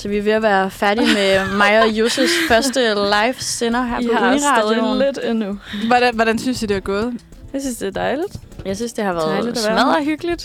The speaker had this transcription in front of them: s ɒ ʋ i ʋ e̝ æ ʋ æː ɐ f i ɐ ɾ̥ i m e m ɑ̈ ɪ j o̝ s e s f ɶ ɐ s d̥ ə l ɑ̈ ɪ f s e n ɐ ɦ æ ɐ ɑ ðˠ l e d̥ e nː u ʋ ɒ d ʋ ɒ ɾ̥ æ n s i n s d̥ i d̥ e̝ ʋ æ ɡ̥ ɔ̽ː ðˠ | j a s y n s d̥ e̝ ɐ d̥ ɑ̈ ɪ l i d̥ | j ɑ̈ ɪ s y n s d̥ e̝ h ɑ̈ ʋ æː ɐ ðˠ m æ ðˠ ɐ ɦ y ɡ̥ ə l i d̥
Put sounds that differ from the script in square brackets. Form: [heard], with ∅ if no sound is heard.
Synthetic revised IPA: s ɒ ʋ i ʋ e̝ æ ʋ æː ɐ f [æ] ɐ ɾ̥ i m e m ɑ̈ ɪ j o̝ s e s f ɶ ɐ s d̥ ə l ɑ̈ ɪ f s e n ɐ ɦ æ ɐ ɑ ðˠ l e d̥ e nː u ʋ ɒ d ʋ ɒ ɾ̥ æ n s [y] n s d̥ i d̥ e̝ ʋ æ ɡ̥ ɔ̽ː ðˠ | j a s y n s d̥ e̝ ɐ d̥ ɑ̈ ɪ l i d̥ | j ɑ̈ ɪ s y n s d̥ e̝ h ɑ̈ ʋ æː ɐ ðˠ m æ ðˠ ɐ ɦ y ɡ̥ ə l i d̥